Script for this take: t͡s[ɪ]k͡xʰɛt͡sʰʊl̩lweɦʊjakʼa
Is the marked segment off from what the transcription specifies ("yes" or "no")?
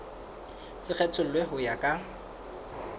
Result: no